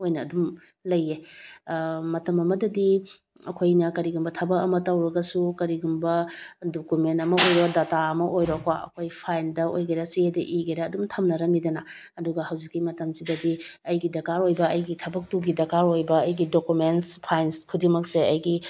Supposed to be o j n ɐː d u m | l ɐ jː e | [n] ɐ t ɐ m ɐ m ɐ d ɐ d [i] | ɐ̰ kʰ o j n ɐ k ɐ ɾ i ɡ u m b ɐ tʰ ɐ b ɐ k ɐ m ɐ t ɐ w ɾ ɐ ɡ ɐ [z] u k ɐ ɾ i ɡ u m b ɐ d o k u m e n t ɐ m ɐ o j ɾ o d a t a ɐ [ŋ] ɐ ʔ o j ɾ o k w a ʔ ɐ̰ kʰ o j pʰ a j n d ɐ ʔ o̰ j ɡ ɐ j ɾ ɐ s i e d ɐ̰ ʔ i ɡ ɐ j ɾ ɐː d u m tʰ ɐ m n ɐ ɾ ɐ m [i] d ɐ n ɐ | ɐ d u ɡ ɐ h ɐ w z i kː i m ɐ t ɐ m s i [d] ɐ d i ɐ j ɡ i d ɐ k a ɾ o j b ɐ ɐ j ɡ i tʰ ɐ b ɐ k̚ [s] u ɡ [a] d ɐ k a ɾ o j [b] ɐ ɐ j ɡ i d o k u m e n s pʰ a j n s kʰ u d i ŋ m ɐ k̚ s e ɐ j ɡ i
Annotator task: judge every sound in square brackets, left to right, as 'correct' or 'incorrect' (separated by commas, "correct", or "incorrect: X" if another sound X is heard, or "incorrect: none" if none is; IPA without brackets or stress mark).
incorrect: m, correct, incorrect: s, incorrect: m, correct, correct, incorrect: t, incorrect: i, correct